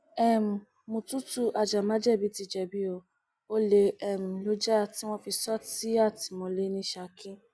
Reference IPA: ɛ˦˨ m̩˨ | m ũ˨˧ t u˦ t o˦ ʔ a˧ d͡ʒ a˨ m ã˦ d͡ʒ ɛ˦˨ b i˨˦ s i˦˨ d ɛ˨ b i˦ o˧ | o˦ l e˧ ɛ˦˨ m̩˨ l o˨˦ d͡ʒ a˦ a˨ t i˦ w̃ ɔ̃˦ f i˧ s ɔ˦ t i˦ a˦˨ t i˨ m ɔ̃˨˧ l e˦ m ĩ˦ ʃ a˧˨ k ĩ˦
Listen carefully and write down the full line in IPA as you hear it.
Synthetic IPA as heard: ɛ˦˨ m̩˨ | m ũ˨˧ t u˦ t u˦ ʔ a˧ d͡ʒ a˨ m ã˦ d͡ʒ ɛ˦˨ b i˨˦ t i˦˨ d͡ʒ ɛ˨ b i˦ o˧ | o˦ l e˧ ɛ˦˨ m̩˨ l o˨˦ d͡ʒ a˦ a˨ t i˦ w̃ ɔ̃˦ f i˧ s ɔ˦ t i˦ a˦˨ t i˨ m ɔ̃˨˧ l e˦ n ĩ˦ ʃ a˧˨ k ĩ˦

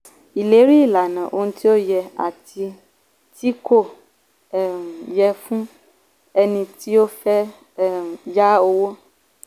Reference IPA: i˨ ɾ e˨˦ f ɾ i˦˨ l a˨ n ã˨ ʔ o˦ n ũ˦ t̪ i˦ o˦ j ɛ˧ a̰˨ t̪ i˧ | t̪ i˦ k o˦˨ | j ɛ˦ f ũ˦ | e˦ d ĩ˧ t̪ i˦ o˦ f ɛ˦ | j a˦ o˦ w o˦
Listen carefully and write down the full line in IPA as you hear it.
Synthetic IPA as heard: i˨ l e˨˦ ɾ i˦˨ l a˨ n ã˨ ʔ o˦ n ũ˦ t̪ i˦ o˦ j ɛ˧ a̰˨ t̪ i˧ | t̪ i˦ k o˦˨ | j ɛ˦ f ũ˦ | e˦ n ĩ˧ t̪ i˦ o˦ f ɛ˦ | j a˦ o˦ w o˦

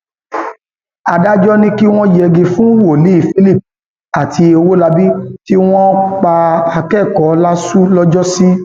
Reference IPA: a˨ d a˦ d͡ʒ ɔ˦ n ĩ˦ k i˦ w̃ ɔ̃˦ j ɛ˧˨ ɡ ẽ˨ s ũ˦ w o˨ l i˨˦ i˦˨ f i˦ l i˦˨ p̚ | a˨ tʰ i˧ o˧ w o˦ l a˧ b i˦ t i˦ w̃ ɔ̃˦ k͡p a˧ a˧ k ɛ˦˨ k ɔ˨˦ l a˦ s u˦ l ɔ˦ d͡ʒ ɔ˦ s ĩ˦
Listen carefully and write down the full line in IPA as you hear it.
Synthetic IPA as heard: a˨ d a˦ d͡ʒ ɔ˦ n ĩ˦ k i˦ w̃ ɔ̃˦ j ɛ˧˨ ɡ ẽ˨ f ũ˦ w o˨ l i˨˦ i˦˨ f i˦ l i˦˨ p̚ | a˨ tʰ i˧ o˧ w o˦ l a˧ b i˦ t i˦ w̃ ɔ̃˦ k͡p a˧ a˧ k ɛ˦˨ k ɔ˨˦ l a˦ s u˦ l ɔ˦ d͡ʒ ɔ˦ s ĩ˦

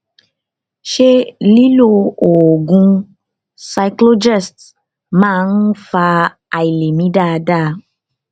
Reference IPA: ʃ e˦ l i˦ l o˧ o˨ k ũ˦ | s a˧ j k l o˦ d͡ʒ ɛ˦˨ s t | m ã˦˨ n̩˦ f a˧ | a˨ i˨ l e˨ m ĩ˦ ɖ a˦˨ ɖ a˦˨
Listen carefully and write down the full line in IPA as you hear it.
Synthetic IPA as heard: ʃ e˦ l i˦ l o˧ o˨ ɡ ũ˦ | s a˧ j k l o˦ d͡ʒ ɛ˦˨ s t | m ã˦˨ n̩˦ f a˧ | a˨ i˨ l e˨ m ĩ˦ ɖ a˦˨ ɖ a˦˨

